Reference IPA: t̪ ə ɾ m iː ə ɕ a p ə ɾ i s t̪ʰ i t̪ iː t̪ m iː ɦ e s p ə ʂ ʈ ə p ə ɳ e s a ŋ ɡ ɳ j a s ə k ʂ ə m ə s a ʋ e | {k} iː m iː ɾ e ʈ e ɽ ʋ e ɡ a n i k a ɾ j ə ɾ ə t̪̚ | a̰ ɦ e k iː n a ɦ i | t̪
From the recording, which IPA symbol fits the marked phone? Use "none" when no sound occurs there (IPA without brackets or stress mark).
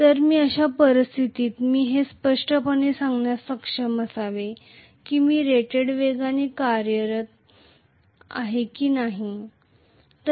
k